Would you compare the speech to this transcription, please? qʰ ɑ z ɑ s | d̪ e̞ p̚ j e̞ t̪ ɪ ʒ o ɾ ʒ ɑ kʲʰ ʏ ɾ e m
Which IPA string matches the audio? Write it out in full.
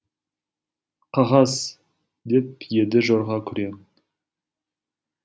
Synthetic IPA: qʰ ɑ ʁ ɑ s | d̪ e̞ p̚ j e̞ d̪ ɪ ʒ o ɾ ʁ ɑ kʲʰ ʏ ɾ e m